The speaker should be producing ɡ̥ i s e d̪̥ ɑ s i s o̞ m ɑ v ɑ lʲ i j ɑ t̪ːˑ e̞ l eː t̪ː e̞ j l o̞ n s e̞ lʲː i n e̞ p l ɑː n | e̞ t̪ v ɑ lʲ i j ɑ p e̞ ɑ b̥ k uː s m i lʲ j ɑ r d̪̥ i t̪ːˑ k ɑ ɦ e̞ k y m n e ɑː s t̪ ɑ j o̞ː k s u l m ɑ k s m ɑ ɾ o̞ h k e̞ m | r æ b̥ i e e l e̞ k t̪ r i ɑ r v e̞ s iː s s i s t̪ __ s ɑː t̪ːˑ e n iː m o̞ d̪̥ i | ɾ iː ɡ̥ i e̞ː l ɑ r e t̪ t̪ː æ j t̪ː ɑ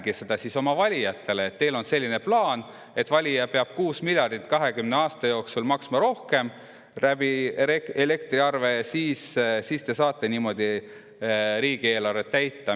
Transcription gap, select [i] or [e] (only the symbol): e